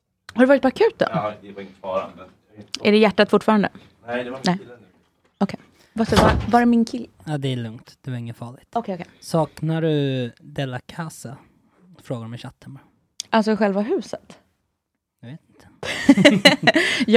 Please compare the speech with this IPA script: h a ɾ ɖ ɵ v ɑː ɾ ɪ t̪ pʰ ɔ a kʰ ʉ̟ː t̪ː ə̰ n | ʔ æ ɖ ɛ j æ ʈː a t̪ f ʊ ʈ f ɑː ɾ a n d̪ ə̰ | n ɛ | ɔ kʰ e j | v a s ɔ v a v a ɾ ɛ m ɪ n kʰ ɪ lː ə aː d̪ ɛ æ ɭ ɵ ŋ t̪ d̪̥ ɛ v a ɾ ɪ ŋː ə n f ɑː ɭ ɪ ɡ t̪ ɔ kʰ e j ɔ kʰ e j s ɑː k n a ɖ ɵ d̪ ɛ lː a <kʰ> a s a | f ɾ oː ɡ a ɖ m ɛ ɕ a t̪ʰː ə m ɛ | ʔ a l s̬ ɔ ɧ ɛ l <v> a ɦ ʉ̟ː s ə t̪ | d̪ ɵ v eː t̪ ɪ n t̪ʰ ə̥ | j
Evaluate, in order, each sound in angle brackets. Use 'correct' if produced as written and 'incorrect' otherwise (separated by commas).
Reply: correct, correct